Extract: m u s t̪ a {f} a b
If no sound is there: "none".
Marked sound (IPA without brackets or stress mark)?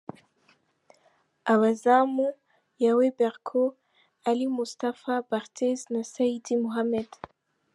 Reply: f